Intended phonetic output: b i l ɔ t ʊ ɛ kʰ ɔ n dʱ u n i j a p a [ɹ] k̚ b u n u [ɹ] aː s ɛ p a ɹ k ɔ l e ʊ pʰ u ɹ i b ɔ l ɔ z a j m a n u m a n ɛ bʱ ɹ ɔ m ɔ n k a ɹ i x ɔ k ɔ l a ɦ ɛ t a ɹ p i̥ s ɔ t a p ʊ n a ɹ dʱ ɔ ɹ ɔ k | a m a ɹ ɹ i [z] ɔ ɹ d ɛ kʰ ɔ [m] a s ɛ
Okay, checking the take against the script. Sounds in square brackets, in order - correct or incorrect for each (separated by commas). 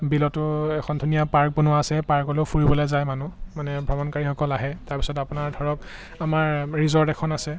correct, incorrect, correct, incorrect